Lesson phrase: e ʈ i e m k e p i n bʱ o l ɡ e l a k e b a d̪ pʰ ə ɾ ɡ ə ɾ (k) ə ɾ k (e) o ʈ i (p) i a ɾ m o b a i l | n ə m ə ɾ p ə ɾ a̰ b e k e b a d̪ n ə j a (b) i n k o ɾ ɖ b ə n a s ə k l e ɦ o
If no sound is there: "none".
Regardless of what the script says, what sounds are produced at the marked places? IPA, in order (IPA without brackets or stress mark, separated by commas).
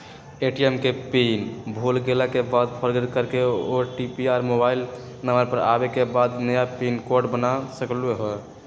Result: k, e, p, p